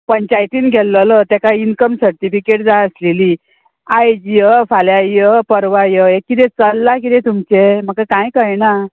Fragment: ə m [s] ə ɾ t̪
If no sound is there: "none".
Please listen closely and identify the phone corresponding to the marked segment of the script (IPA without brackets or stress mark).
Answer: s